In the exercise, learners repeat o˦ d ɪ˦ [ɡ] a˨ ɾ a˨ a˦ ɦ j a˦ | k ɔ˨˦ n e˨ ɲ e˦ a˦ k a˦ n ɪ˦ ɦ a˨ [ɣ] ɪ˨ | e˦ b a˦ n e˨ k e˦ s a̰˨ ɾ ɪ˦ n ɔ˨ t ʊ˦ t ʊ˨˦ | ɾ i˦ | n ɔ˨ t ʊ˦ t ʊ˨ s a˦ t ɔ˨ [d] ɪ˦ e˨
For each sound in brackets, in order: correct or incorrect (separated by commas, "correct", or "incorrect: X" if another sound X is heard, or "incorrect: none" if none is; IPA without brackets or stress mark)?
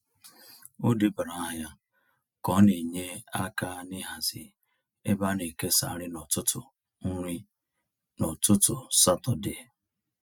incorrect: b, incorrect: z, correct